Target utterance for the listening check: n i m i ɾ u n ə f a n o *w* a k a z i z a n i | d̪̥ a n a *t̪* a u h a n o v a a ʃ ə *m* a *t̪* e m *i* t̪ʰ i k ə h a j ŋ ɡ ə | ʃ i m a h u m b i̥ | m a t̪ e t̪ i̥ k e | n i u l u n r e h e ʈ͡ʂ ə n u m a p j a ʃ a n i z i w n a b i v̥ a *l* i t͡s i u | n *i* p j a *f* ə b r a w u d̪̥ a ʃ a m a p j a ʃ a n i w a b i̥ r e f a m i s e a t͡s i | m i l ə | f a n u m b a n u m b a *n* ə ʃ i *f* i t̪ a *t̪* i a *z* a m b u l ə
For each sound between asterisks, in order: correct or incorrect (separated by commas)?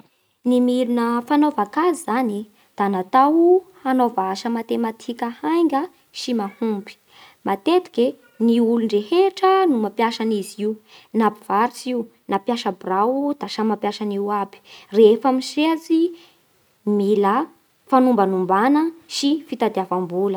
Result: incorrect, correct, correct, correct, incorrect, incorrect, incorrect, incorrect, correct, correct, incorrect, incorrect